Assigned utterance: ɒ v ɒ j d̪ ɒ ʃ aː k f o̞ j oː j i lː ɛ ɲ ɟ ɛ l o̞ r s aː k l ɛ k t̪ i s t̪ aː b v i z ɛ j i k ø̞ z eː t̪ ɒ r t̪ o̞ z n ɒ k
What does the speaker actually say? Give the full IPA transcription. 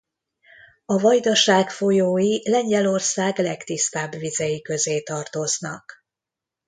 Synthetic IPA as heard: ɒ v ɒ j d̪ ɒ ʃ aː k f o̞ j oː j i l ɛ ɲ ɟ ɛ l o̞ r s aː ɡ l ɛ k t̪ i s t̪ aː b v i z ɛ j i k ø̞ z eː t̪ ɒ r t̪ o̞ z n ɒ k